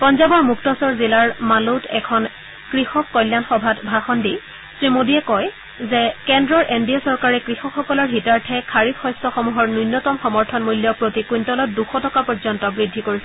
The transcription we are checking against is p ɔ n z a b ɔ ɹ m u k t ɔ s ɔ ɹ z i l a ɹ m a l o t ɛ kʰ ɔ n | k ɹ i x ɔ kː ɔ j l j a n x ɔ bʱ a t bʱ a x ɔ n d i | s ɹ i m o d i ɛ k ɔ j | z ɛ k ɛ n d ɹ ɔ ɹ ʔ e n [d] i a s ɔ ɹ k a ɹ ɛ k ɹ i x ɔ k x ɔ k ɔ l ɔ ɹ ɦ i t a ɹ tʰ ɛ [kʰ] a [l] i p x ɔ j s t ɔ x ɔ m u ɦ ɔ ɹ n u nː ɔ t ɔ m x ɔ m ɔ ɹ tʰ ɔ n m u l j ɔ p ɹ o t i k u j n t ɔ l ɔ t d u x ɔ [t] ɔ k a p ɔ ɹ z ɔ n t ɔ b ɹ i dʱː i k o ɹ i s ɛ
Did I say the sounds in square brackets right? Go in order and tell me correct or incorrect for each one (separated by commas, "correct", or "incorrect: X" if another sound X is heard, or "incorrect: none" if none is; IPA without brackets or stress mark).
correct, correct, incorrect: ɹ, correct